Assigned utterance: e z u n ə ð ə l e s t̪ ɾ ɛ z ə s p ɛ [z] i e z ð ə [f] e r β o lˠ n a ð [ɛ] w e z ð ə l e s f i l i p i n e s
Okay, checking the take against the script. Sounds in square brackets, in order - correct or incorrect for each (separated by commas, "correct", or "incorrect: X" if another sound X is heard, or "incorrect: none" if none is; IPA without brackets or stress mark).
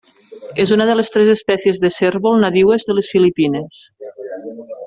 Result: incorrect: s, incorrect: s, incorrect: i